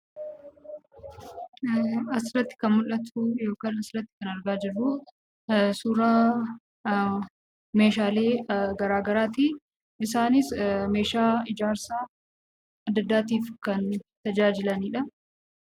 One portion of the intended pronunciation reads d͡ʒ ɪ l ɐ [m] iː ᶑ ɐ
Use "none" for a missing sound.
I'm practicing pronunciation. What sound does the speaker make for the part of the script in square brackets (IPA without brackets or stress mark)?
n